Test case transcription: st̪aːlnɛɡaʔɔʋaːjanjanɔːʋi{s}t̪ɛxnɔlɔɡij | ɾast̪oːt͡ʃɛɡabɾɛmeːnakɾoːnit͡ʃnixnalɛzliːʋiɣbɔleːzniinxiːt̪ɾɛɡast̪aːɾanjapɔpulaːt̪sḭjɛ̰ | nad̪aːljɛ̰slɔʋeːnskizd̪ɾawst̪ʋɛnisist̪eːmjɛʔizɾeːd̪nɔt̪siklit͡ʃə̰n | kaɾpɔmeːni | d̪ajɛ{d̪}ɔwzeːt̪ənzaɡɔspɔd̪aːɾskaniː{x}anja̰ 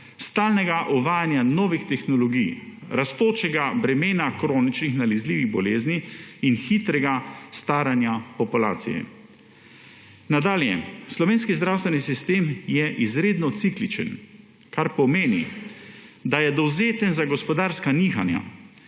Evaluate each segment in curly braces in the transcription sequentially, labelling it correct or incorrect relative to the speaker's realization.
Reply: incorrect: x, correct, correct

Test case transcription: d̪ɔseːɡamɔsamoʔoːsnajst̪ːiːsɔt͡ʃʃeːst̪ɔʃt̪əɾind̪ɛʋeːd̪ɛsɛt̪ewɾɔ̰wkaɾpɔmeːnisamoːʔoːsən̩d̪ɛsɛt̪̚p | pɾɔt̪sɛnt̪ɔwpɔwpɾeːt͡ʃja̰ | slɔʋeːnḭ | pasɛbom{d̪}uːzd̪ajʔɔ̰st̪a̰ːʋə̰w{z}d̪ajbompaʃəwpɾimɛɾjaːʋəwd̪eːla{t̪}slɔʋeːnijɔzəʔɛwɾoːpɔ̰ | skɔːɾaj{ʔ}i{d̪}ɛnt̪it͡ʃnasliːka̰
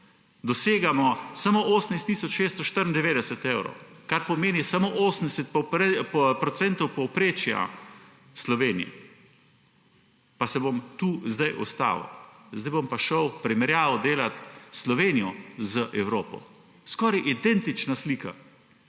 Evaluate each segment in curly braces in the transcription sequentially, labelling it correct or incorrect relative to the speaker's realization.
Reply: incorrect: t̪, correct, correct, correct, correct

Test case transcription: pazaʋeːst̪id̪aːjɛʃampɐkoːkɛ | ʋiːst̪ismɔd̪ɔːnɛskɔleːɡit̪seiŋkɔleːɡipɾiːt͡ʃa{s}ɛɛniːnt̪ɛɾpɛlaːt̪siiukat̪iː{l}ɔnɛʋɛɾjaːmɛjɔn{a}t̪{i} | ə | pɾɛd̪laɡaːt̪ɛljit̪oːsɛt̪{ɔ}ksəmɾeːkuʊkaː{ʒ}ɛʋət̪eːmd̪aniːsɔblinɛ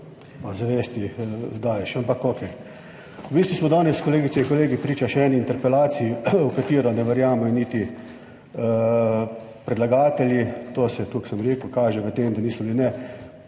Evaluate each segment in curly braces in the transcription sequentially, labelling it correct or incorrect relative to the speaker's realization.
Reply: incorrect: ʃ, incorrect: ɾ, incorrect: i, correct, incorrect: u, correct

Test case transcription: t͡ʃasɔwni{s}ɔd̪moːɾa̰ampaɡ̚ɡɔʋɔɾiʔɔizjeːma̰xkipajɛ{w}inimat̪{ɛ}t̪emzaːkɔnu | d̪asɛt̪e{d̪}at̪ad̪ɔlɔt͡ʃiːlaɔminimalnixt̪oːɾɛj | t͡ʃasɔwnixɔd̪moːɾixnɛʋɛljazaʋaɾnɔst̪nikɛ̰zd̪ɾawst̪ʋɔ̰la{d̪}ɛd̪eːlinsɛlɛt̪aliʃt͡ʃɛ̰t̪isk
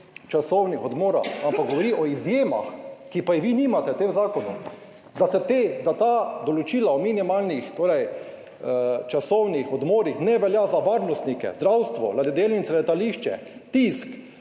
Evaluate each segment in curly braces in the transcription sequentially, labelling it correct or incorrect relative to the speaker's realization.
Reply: incorrect: x, incorrect: ʋ, correct, correct, correct

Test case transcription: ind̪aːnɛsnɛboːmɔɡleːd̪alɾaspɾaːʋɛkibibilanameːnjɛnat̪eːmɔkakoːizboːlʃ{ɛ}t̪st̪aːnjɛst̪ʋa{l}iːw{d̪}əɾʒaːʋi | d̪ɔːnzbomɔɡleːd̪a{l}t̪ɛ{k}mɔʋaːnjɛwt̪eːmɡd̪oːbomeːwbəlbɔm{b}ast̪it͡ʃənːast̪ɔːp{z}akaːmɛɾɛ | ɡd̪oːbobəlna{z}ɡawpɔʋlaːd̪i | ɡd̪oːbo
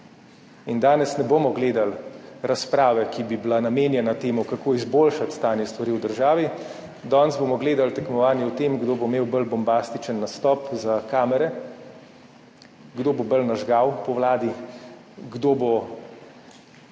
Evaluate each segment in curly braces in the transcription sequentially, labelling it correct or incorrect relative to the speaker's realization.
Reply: incorrect: a, incorrect: ɾ, correct, correct, correct, correct, correct, incorrect: ʒ

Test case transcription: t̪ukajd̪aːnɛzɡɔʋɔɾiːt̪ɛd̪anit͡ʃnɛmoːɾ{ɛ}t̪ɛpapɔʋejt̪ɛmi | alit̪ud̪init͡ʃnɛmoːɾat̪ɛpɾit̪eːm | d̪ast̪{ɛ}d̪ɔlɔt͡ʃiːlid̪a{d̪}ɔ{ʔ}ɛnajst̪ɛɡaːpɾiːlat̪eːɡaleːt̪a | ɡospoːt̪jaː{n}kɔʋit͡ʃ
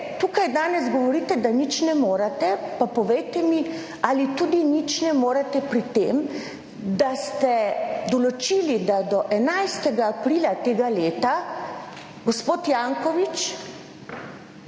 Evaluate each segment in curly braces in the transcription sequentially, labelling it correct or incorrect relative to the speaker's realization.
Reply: incorrect: a, correct, correct, correct, incorrect: ŋ

